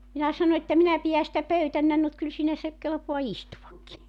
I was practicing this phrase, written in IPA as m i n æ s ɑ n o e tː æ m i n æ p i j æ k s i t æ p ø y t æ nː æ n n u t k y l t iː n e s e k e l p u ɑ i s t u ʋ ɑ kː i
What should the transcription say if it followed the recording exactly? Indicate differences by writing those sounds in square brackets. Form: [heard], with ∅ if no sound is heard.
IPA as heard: m i n æ s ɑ n o e tː æ m i n æ p i j æ [∅] s i t æ p ø y t æ nː æ n n u t k y l [s] iː n [æ] s e k e l p [o] ɑ i s t u ʋ ɑ kː i